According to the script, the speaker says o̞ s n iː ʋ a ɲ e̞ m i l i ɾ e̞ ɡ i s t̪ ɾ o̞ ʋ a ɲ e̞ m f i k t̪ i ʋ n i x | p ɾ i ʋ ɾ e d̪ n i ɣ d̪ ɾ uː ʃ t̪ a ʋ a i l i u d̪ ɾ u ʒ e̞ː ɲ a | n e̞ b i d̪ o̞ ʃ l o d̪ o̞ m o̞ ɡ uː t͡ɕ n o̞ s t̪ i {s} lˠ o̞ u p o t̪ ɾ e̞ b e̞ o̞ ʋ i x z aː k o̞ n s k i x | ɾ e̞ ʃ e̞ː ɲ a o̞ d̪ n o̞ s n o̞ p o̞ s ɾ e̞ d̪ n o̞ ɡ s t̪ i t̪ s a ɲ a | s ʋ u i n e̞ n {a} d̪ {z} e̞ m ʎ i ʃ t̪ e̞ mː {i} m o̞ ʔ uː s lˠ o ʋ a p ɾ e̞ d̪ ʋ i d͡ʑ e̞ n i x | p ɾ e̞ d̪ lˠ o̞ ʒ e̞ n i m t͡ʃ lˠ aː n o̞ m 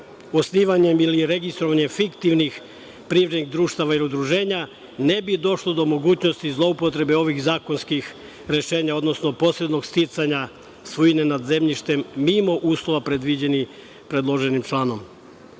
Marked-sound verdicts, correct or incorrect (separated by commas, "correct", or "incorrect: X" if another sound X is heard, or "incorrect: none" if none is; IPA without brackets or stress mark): incorrect: z, correct, correct, correct